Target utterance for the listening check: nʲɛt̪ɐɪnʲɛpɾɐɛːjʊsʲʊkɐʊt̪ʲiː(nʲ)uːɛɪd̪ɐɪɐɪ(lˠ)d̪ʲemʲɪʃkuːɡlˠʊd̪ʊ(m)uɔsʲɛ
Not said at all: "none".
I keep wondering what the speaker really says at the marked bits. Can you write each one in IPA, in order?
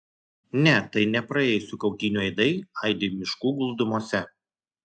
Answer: nʲ, none, m

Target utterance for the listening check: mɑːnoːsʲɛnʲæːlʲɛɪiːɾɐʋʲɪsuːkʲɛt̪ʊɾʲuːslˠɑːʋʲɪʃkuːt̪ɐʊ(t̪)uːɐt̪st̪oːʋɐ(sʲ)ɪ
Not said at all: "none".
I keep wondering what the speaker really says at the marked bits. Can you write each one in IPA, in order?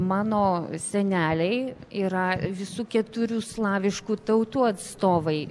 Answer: t̪, none

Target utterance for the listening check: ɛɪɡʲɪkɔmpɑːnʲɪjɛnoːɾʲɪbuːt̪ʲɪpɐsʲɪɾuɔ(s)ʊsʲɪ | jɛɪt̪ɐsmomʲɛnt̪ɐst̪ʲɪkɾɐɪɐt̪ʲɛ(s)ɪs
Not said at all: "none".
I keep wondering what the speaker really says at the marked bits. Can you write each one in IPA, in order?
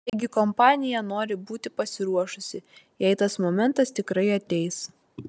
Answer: ʃ, none

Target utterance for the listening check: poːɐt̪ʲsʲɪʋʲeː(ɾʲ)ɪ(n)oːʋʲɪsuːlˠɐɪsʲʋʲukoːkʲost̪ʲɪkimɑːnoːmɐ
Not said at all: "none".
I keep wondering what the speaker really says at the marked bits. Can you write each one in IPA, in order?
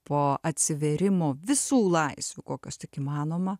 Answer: ɾʲ, m

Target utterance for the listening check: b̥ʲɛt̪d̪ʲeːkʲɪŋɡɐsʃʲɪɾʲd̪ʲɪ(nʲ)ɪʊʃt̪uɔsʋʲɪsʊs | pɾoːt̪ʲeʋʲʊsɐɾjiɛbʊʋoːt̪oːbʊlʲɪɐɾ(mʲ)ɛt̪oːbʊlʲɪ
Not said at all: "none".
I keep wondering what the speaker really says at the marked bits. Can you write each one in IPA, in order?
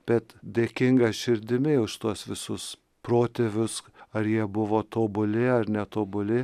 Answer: mʲ, nʲ

